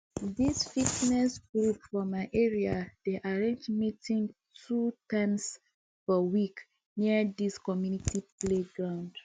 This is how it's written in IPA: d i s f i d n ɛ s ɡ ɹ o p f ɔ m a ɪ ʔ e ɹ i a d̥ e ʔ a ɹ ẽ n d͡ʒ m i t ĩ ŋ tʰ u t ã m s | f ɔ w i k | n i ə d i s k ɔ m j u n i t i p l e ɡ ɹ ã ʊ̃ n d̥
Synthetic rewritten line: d i s f i t n ɛ s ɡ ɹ u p f ɔ m a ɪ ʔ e ɹ i a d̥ e ʔ a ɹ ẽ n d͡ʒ m i t ĩ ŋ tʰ u t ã m s | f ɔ w i k | n i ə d i s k ɔ m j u n i t i p l e ɡ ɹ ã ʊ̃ n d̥